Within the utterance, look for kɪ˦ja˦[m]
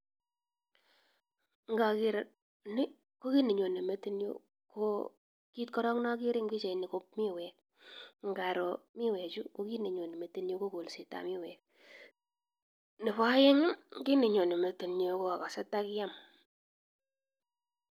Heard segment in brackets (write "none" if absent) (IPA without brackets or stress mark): m